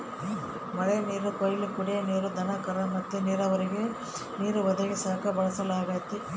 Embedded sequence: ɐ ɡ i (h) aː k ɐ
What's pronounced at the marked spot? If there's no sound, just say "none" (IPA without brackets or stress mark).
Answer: s